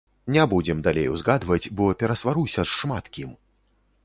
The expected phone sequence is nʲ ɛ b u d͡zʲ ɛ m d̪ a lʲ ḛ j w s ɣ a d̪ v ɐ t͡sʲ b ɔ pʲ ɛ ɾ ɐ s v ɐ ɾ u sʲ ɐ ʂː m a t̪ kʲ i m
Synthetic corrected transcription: nʲ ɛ b u d͡zʲ ɛ m d̪ a lʲ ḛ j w z ɣ a d̪ v ɐ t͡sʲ b ɔ pʲ ɛ ɾ ɐ s v a ɾ u sʲ ɐ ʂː m a t̪ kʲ i m